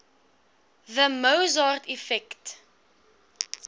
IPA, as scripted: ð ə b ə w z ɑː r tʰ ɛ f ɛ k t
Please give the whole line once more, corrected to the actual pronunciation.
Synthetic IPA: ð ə m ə w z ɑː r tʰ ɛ f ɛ k t